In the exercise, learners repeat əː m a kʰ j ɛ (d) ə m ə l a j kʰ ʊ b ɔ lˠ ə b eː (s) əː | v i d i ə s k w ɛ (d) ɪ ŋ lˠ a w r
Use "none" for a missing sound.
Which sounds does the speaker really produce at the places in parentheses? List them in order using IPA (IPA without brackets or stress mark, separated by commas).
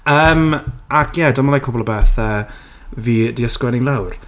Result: d, θ, n